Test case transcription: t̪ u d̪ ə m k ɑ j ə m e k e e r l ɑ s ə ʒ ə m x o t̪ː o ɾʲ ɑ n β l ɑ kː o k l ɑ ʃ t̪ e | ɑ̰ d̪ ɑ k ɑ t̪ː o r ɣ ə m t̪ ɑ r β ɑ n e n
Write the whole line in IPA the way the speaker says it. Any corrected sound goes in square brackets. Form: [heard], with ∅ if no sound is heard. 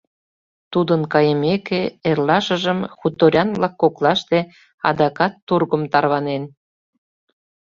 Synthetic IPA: t̪ u d̪ ə [n] k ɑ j ə m e k e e r l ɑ [ʃ] ə ʒ ə m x [u] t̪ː o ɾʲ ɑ n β l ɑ kː o k l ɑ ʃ t̪ e | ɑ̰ d̪ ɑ k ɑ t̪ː [u] r ɣ ə m t̪ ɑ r β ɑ n e n